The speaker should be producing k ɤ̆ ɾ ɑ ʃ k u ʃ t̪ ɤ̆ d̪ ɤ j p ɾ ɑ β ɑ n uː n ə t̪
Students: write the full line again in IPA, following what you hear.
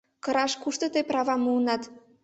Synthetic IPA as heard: k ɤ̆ ɾ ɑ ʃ k u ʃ t̪ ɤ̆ t̪ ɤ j p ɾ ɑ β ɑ m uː n ɑ t̪